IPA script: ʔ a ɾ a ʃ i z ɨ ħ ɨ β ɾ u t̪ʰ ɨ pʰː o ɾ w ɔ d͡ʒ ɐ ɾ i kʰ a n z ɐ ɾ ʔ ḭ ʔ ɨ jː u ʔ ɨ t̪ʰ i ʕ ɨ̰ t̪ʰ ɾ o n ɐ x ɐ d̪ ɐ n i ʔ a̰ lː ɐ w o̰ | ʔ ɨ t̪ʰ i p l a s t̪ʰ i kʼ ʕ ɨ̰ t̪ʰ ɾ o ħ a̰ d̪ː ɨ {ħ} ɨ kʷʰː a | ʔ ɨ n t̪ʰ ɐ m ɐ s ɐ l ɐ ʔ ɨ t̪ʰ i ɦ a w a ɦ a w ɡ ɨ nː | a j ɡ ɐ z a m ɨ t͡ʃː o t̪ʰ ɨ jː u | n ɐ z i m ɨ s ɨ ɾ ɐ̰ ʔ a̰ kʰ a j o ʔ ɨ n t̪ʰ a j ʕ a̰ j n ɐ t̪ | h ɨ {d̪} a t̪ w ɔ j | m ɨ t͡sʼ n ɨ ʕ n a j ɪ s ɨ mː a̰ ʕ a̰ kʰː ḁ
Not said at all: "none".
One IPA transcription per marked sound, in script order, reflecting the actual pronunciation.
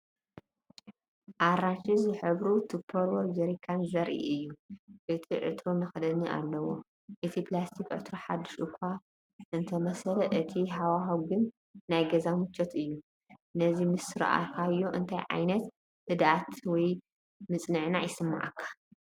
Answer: ʃ, d̪

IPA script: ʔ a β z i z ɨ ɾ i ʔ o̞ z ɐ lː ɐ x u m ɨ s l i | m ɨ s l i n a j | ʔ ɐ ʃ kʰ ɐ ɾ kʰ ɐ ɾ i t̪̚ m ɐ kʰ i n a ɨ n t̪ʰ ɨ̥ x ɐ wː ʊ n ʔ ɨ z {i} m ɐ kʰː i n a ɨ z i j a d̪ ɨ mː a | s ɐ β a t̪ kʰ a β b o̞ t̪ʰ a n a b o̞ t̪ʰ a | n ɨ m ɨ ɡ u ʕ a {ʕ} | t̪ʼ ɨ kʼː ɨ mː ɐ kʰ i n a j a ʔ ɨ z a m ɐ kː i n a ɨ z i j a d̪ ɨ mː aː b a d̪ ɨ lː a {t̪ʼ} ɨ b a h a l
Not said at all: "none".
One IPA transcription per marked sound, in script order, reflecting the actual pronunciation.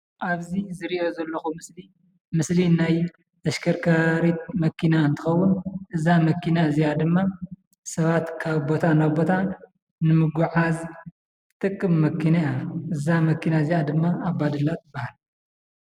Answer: a, z, t̪

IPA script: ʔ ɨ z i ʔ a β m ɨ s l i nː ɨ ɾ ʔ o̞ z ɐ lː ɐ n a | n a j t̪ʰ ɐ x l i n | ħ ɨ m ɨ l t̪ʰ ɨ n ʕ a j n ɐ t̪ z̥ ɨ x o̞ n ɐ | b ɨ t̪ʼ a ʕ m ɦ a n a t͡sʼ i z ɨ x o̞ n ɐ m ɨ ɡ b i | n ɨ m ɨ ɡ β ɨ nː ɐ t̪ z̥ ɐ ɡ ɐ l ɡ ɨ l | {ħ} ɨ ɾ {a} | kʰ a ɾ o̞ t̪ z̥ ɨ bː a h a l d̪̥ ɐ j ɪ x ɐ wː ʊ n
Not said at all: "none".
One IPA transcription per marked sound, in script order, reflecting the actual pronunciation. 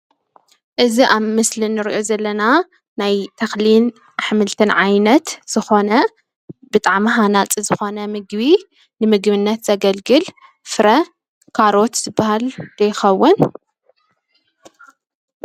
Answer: f, ɐ

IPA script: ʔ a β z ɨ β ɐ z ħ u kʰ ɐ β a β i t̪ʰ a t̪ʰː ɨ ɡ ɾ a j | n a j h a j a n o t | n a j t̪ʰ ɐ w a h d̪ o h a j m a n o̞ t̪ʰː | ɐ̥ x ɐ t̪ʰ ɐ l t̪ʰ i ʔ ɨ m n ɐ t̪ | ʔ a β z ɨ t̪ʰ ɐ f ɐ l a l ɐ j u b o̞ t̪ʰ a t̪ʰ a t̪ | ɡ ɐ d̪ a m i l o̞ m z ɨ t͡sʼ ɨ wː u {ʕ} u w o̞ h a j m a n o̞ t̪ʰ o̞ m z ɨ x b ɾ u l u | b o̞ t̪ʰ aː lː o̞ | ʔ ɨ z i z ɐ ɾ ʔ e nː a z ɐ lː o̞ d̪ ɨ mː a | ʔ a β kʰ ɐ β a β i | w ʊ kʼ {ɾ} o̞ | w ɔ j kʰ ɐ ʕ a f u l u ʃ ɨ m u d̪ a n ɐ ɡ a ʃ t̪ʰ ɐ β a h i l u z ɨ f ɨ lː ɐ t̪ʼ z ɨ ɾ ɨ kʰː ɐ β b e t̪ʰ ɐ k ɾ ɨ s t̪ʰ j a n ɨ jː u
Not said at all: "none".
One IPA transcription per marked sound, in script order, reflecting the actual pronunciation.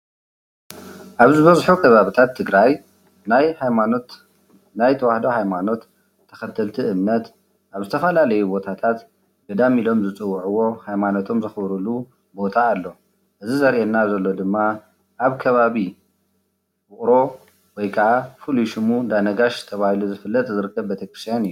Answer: ʕ, ɾ

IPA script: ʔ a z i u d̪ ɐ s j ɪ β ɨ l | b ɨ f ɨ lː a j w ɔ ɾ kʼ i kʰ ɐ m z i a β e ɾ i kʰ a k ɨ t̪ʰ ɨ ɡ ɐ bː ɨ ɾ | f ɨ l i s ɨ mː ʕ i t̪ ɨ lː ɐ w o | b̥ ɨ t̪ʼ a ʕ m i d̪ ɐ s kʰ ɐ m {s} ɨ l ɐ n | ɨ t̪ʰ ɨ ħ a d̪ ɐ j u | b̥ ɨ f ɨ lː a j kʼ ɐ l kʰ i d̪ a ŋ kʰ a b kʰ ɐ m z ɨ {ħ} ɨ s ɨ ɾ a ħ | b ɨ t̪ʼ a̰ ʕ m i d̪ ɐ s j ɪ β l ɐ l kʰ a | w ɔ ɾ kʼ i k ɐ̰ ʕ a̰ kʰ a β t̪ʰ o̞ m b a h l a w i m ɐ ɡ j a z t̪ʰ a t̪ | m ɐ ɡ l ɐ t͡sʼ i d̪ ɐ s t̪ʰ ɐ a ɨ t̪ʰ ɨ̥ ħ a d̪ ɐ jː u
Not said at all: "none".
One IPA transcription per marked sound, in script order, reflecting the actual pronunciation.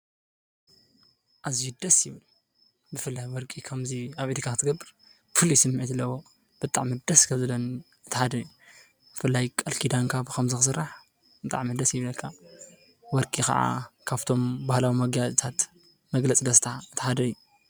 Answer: z, x

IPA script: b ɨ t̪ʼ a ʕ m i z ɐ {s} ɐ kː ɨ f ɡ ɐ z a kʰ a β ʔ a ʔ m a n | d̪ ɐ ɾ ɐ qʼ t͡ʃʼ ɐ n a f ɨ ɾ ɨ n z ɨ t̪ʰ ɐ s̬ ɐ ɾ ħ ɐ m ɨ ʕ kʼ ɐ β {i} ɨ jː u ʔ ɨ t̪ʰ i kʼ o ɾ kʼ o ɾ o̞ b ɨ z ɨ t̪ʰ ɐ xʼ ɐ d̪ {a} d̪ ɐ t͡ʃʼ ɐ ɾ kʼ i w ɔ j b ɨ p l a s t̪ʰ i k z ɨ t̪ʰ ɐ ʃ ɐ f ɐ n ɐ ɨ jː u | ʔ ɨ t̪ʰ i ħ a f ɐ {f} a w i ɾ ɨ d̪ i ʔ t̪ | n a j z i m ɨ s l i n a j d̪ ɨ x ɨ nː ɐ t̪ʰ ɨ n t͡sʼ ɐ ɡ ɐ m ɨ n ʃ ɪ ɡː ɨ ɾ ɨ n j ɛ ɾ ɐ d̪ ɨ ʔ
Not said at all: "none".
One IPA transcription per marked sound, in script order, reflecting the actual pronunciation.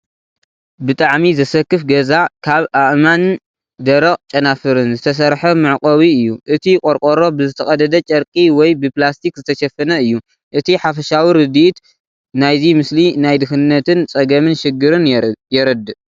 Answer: s, i, ɐ, ʃ

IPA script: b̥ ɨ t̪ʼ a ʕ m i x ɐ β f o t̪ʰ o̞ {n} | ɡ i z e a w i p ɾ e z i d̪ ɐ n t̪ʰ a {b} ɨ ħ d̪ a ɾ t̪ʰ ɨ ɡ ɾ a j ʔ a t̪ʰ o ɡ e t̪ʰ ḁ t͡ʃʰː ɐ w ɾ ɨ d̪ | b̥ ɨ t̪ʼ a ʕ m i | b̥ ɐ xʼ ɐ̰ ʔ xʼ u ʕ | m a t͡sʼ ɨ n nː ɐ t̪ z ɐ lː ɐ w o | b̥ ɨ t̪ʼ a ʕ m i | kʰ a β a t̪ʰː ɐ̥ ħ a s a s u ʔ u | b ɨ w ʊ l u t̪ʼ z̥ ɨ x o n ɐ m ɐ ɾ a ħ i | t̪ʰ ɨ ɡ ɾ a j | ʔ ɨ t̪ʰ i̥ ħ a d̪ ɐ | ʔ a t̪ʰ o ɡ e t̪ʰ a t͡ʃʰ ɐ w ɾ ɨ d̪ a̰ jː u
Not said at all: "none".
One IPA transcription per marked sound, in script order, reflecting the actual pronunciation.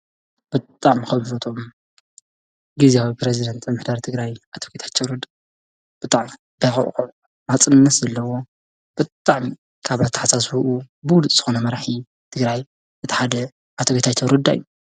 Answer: m, m

